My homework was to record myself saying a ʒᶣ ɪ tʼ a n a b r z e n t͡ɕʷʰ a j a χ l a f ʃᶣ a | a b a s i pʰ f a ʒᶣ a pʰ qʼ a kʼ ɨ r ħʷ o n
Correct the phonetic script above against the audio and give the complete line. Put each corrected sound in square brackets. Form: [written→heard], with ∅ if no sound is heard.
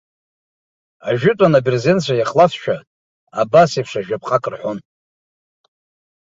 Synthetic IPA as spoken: a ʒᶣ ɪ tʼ a n a b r z e n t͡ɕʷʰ a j a χ l a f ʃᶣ a | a b a s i pʰ [f→ʂ] a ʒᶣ a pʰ qʼ a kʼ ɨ r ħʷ o n